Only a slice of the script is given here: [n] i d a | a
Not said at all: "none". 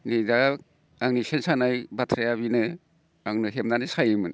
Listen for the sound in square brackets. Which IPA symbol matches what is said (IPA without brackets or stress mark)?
n